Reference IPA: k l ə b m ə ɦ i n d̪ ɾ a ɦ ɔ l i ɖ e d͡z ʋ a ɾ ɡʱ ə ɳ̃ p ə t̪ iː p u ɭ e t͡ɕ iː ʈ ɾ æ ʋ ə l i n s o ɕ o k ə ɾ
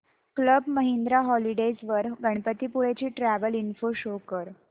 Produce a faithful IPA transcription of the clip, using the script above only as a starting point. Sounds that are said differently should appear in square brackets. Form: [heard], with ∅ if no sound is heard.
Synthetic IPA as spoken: k l ə b m ə ɦ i n d̪ ɾ a ɦ ɔ l i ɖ e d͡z ʋ [ə] ɾ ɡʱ ə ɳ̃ p ə t̪ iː p u ɭ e t͡ɕ iː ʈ ɾ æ ʋ ə l i n [f] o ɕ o k ə ɾ

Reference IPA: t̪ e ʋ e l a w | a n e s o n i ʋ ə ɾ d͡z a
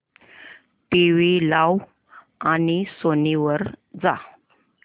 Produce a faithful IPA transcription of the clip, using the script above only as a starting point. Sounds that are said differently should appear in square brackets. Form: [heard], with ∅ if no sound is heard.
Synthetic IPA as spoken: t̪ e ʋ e l a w | a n [i] s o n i ʋ ə ɾ d͡z a

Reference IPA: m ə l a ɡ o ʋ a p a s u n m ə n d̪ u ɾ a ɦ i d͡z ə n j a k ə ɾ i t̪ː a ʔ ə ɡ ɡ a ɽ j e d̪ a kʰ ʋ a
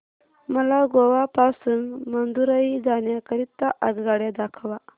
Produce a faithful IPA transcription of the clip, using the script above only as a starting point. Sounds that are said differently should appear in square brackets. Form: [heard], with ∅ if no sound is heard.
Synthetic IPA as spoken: m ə l a ɡ o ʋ a p a s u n m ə n d̪ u ɾ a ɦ i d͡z [a] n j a k ə ɾ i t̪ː a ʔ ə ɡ ɡ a ɽ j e d̪ a kʰ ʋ a

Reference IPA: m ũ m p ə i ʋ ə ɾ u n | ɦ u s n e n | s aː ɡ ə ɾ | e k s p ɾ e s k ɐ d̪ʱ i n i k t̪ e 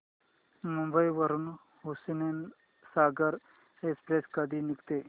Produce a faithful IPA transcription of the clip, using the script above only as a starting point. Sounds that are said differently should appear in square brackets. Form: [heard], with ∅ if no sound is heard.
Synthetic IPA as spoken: m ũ m [b] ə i ʋ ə ɾ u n | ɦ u s n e n | s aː ɡ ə ɾ | e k s p ɾ e s k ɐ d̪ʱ i n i k t̪ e

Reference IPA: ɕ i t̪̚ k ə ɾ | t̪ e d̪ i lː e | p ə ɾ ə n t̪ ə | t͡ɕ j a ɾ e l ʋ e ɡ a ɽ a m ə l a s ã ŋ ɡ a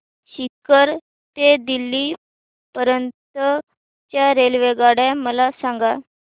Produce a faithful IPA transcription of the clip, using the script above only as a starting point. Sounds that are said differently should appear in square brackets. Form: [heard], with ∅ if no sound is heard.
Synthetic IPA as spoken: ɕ i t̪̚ k ə ɾ | t̪ e d̪ i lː [i] | p ə ɾ ə n t̪ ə | t͡ɕ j a ɾ e l ʋ e ɡ a ɽ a m ə l a s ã ŋ ɡ a

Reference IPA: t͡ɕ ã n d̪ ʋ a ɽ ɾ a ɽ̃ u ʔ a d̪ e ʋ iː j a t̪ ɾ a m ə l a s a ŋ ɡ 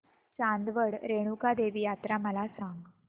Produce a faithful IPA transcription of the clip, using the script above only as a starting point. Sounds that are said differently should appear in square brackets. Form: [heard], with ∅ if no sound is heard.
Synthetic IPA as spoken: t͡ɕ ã n d̪ ʋ [ə] ɽ ɾ [e] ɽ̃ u [k] a d̪ e ʋ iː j a t̪ ɾ a m ə l a s a ŋ ɡ

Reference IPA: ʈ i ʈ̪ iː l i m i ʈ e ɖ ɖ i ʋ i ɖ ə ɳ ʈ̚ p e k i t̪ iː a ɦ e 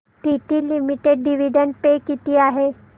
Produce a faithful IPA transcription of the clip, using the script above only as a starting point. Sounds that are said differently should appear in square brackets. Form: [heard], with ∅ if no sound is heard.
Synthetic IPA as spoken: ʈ i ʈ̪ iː l i m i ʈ e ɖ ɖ i ʋ i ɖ ə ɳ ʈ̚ p e k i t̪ iː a ɦ e

